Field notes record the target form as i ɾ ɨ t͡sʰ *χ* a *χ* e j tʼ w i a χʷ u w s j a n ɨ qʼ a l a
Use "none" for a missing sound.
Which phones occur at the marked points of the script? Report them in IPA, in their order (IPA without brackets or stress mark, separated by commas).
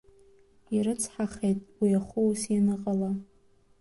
ħ, χ